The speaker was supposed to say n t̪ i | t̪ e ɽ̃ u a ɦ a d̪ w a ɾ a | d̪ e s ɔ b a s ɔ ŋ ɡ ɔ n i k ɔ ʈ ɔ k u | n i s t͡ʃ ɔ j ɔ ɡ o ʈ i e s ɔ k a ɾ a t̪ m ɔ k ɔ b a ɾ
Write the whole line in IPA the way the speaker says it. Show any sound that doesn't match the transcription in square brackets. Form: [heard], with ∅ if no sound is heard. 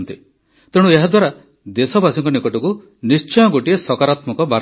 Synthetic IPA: n t̪ i | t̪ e ɽ̃ u [e] ɦ a d̪ w a ɾ a | d̪ e s ɔ b a s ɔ ŋ [k] ɔ n i k ɔ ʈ ɔ k u | n i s t͡ʃ ɔ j ɔ ɡ o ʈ i e s ɔ k a ɾ a t̪ m ɔ k ɔ b a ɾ